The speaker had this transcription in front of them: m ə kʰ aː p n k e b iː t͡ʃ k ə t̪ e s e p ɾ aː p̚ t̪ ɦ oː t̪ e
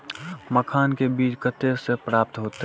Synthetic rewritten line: m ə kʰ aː n k e b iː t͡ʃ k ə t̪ e s e p ɾ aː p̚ t̪ ɦ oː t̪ e